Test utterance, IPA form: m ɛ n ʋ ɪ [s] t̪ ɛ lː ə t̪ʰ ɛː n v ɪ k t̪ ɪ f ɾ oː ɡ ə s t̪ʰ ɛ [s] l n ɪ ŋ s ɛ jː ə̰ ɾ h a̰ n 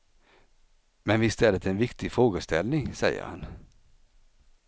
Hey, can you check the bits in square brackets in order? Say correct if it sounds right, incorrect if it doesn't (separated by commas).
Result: correct, incorrect